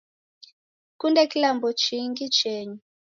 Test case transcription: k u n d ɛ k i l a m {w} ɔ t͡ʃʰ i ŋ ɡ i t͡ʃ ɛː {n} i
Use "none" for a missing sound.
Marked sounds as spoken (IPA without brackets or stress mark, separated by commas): b, ɲ